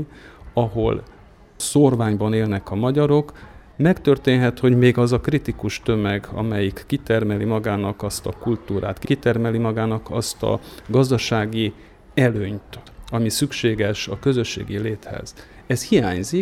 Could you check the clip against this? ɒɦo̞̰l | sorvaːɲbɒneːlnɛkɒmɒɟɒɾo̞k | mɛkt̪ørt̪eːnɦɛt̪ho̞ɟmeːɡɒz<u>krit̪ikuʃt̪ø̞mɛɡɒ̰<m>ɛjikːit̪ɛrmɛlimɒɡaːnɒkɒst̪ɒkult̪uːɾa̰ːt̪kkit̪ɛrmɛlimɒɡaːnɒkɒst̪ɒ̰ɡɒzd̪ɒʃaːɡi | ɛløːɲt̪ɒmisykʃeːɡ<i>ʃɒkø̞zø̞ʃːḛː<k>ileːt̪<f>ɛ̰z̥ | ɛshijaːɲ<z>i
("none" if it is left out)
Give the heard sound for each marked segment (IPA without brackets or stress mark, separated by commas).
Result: ɒ, m, ɛ, ɡ, h, z